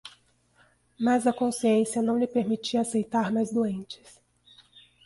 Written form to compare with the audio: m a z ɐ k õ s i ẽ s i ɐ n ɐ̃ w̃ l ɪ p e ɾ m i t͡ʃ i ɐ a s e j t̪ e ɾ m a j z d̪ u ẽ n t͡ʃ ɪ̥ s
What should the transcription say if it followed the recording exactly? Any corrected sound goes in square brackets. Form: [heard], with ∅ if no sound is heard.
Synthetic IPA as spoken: m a z ɐ k õ s i ẽ s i ɐ n ɐ̃ w̃ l ɪ p e ɾ m i t͡ʃ i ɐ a s e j t̪ [a] ɾ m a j z d̪ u ẽ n t͡ʃ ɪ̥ s